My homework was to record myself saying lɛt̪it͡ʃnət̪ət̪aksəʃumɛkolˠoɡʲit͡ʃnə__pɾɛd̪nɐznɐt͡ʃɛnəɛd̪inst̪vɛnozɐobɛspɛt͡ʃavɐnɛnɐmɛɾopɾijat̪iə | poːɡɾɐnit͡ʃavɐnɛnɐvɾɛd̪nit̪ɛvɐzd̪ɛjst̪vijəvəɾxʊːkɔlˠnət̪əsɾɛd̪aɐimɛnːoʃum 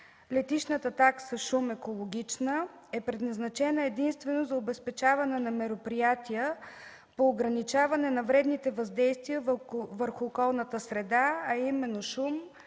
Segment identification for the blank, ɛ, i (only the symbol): ɛ